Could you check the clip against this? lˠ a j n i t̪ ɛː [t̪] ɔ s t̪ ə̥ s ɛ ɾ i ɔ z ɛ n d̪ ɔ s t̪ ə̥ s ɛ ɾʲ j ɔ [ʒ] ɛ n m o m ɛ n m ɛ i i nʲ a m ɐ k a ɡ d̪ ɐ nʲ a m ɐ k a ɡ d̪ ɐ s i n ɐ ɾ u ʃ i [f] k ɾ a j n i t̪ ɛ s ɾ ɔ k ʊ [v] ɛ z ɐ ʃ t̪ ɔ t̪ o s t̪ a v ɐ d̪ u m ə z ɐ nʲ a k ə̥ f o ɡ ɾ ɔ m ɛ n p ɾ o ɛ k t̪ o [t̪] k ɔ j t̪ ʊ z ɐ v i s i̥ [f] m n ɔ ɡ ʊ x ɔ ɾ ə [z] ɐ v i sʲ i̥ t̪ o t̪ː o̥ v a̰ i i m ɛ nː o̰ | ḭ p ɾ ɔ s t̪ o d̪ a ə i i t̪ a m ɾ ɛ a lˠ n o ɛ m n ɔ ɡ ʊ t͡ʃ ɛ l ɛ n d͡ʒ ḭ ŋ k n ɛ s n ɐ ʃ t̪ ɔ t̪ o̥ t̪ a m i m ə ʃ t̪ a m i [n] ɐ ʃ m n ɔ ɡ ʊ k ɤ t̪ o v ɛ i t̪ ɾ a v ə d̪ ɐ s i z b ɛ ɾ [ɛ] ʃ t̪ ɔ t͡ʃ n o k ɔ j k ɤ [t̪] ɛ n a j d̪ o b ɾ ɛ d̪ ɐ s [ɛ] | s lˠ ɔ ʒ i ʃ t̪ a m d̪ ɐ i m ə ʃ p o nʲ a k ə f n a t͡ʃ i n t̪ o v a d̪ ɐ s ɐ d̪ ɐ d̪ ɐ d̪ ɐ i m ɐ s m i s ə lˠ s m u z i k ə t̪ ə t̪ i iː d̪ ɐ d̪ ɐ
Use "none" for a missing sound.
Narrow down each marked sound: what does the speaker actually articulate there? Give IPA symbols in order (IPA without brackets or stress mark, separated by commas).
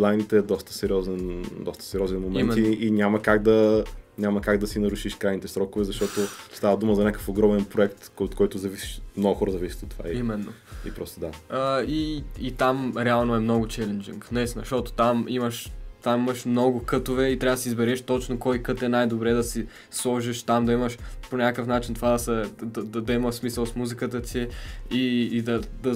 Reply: d̪, z, ʃ, v, t̪, ʃ, z, m, ɛ, t̪, i